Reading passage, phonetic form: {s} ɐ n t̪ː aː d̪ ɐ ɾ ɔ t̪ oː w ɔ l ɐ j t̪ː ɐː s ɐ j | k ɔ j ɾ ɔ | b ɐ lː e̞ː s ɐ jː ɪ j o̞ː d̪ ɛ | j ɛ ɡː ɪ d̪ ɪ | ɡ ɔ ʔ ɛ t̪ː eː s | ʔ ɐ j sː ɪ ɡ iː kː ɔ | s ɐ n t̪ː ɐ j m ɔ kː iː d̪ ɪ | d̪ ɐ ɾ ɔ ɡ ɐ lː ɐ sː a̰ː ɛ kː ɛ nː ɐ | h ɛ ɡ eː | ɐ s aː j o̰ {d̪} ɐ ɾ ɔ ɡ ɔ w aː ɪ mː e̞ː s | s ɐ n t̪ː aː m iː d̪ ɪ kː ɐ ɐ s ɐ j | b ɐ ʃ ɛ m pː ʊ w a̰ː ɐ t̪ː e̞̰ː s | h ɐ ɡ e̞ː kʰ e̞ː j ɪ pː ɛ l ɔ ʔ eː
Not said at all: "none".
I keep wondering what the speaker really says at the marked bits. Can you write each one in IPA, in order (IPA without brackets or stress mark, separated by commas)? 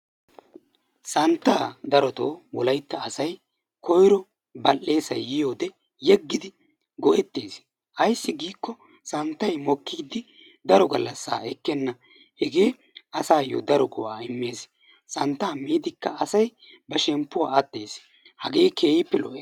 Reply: s, d̪